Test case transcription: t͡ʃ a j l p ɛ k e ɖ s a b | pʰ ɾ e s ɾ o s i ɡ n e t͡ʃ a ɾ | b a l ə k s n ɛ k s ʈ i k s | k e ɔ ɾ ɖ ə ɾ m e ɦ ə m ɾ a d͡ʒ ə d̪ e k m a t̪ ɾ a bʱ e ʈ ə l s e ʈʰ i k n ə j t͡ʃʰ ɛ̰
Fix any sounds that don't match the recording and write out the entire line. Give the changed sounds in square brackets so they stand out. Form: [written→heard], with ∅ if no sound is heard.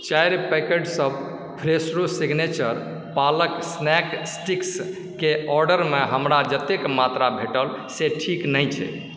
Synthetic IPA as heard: t͡ʃ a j [l→ɾ] p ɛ k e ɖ s [a→ə] b | pʰ ɾ e s ɾ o s i ɡ n e t͡ʃ [a→ə] ɾ | [b→p] a l ə k s n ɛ k s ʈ i k s | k e ɔ ɾ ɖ ə ɾ m e ɦ ə m ɾ a d͡ʒ ə [d̪→t̪] e k m a t̪ ɾ a bʱ e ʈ ə l s e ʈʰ i k n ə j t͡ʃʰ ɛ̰